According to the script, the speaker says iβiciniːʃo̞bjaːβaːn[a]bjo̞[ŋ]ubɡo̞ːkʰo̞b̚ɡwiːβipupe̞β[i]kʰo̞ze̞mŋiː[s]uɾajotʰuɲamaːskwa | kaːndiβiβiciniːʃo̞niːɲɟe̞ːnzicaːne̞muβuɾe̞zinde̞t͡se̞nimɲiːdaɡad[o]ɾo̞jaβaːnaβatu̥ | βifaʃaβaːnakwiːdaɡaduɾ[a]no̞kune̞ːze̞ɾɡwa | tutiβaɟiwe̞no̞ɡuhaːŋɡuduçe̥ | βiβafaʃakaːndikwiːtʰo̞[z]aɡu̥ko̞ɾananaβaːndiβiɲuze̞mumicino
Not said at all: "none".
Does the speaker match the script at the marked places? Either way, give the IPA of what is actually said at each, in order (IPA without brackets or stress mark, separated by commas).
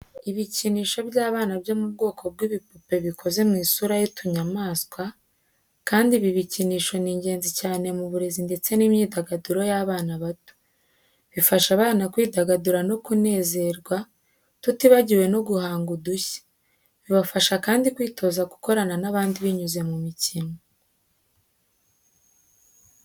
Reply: a, m, i, s, u, a, z